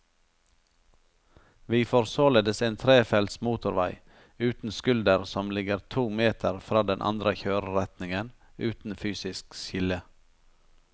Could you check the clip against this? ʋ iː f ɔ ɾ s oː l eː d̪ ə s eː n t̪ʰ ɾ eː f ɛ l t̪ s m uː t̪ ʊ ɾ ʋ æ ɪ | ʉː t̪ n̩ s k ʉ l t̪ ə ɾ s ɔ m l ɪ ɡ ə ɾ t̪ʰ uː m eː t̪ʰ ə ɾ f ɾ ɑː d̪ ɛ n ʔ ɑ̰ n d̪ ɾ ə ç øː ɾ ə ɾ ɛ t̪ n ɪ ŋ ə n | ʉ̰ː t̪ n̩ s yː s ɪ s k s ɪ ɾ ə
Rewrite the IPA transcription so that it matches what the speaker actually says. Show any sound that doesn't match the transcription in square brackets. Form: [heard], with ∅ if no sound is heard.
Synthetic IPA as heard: ʋ iː f ɔ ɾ s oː l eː d̪ ə s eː n t̪ʰ ɾ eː f ɛ l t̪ s m uː t̪ ʊ ɾ ʋ æ ɪ | ʉː t̪ n̩ s k ʉ l [d̪] ə ɾ s ɔ m l ɪ ɡ ə ɾ t̪ʰ uː m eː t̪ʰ ə ɾ f ɾ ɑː d̪ ɛ n ʔ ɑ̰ n d̪ ɾ ə ç øː ɾ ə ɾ ɛ t̪ n ɪ ŋ ə n | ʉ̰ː t̪ n̩ [f] yː s ɪ s k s ɪ [l] ə